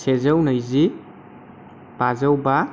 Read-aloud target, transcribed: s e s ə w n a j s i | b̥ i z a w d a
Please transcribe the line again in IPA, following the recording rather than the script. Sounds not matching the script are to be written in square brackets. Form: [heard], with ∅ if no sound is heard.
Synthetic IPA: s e [z] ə w n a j [z] i | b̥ [a] z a w [b] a